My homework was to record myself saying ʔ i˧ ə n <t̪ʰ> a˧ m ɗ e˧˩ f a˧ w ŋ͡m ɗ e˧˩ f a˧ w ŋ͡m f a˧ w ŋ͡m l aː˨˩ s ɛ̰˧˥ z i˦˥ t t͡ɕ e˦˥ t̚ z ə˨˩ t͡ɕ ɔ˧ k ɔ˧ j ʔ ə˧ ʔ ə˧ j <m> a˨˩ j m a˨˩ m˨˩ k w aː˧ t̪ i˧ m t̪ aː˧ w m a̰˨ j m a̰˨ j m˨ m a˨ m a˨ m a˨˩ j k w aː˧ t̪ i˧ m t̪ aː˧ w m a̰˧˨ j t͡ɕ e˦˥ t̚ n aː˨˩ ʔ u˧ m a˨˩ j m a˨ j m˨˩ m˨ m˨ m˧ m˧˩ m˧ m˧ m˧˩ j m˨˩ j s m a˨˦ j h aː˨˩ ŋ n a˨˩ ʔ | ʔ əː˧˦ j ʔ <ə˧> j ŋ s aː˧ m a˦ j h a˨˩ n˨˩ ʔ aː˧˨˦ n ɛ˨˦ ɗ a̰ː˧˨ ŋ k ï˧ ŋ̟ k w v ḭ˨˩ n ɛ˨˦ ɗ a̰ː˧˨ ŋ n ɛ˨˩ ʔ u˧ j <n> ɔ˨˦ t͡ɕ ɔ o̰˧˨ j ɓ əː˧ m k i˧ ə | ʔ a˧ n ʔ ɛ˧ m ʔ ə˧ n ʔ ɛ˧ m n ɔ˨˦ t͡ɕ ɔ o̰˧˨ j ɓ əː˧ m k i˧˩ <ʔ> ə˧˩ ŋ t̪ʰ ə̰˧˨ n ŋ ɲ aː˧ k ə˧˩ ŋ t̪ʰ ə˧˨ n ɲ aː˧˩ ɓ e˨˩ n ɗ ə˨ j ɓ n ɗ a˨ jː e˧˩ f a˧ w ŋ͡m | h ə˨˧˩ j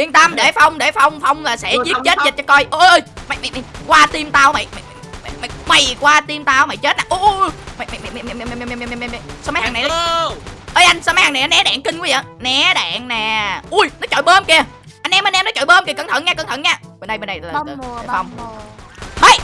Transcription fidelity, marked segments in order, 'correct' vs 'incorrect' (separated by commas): incorrect, correct, incorrect, correct, incorrect